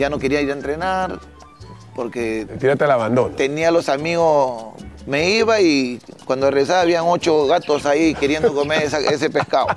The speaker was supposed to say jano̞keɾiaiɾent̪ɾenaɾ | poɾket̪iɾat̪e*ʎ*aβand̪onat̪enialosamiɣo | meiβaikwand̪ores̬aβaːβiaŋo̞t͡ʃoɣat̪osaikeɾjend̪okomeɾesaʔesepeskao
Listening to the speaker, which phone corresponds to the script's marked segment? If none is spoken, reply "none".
l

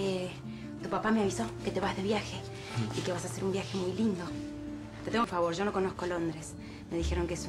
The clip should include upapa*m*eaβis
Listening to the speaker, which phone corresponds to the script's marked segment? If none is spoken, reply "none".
m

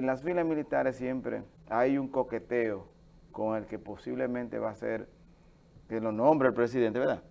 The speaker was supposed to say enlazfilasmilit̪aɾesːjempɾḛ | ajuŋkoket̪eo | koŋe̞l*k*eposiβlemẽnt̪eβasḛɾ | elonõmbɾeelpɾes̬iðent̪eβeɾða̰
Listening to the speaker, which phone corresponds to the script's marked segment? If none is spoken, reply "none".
k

